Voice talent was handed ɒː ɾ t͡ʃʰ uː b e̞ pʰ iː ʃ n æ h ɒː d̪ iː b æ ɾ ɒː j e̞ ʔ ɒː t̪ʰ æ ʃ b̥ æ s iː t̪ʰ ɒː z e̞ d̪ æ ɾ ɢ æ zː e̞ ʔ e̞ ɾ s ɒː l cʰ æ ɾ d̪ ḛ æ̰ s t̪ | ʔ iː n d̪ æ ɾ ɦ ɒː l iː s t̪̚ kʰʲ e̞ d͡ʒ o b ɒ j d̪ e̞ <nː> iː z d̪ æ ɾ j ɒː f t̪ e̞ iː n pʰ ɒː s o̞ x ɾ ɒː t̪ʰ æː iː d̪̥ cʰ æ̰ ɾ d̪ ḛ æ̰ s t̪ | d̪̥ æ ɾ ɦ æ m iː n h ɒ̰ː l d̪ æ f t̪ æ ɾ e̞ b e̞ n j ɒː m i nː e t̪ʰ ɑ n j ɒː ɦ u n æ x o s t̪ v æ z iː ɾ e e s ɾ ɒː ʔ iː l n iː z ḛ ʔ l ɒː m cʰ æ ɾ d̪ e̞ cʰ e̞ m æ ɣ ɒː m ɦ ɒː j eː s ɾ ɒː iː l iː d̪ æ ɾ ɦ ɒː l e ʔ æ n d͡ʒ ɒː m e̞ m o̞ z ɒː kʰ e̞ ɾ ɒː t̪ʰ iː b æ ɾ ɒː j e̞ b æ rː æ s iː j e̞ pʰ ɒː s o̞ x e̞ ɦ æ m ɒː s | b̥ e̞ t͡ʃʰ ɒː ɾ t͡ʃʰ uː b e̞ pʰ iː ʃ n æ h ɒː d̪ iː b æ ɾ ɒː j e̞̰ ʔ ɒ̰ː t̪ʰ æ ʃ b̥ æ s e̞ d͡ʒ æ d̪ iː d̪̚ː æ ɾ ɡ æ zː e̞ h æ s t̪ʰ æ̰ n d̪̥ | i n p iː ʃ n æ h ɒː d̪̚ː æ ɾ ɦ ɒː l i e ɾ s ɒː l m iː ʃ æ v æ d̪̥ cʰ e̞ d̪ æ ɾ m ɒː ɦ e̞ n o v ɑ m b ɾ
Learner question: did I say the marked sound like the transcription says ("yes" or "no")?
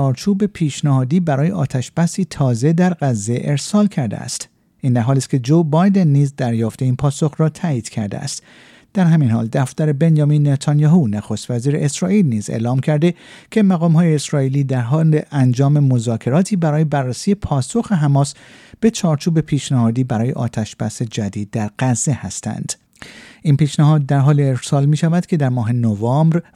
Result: yes